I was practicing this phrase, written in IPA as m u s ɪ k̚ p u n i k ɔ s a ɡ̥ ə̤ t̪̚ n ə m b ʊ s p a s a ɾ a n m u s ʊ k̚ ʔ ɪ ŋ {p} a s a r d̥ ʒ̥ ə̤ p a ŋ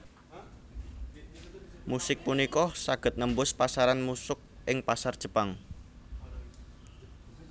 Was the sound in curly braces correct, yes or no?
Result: yes